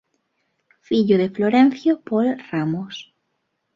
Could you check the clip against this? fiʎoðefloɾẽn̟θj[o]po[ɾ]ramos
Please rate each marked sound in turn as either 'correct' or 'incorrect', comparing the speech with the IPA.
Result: correct, incorrect: l

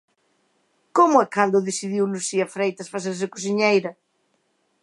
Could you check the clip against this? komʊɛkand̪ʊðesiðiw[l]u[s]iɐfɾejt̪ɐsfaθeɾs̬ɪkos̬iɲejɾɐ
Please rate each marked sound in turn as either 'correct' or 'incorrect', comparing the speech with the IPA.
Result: correct, correct

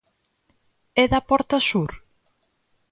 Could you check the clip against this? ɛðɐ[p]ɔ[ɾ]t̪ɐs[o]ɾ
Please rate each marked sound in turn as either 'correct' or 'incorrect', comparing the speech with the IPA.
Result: correct, correct, incorrect: u

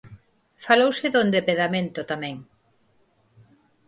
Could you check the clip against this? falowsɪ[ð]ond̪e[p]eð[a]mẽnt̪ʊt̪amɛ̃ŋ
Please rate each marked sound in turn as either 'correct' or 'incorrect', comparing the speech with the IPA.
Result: correct, correct, correct

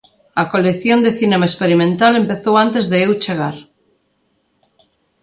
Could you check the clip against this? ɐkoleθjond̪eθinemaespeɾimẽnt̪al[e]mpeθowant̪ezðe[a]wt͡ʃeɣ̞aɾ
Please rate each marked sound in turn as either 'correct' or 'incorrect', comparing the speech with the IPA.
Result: correct, incorrect: e

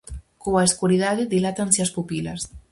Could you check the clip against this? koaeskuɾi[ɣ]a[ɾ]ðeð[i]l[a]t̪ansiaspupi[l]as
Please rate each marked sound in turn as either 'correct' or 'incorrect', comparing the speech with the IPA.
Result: incorrect: ð, incorrect: none, correct, correct, correct

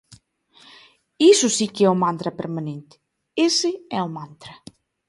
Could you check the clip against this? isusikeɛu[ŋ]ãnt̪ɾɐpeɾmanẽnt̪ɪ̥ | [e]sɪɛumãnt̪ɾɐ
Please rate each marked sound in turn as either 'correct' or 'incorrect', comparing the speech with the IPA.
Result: incorrect: m, correct

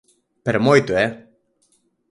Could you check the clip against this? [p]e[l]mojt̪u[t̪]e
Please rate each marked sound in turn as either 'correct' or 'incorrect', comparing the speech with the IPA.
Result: correct, incorrect: ɾ, incorrect: none

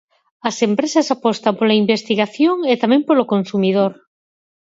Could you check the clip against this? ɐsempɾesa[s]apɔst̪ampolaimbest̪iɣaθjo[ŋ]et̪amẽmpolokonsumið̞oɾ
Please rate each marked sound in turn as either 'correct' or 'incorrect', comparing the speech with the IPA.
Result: correct, correct

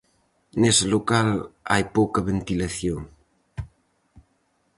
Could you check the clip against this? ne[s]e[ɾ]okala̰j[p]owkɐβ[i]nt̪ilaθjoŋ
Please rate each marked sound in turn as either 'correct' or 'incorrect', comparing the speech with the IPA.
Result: correct, incorrect: l, correct, incorrect: e

